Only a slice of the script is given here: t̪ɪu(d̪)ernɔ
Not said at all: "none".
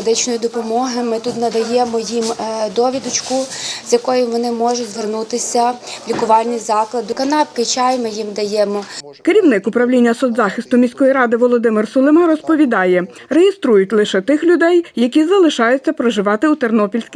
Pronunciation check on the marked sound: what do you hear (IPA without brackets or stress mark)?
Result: t̪